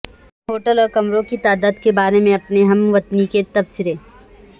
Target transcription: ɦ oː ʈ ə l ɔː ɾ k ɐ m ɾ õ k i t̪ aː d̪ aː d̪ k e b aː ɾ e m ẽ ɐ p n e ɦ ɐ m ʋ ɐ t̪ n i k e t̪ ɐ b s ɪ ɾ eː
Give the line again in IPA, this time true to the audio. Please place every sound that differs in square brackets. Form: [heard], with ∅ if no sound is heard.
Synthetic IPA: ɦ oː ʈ ə l ɔː ɾ k ɐ m ɾ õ k i t̪ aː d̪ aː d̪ k e b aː ɾ e m ẽ ɐ p n e ɦ ɐ m ʋ ɐ t̪ n i k e t̪ ɐ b s ɪ ɾ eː